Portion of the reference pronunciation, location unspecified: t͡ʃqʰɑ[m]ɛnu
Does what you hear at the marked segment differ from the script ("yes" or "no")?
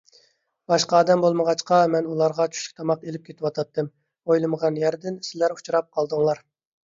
no